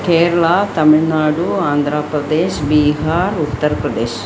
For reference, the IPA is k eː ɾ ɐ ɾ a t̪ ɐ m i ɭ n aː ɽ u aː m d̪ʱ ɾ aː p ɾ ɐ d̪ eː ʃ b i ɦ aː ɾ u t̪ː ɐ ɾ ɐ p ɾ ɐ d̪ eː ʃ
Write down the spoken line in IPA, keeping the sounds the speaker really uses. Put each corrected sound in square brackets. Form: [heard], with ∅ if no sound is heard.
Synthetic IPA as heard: k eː ɾ ɐ [ɭ] a t̪ ɐ m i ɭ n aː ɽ u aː [n] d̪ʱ ɾ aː p ɾ ɐ d̪ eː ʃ b i ɦ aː ɾ u t̪ː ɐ ɾ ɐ p ɾ ɐ d̪ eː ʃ